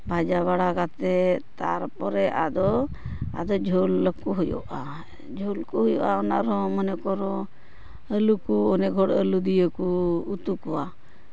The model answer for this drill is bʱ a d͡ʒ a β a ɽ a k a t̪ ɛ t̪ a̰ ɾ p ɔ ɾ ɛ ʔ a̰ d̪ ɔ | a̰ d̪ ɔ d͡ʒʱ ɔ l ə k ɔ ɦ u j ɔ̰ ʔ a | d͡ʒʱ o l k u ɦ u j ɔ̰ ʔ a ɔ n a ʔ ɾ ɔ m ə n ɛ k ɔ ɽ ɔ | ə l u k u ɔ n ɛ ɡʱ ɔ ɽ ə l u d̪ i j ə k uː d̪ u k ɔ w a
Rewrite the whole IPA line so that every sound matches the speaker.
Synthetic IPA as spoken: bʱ a d͡ʒ a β a ɽ a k a t̪ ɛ t̪ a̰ ɾ p ɔ ɾ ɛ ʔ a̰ d̪ ɔ | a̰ d̪ ɔ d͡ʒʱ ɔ l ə k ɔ ɦ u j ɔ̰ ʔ a | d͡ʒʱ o l k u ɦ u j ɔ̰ ʔ a ɔ n a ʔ ɾ ɔ m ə n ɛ k ɔ ɾ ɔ | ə l u k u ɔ n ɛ ɡʱ ɔ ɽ ə l u d̪ i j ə k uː t̪ u k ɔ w a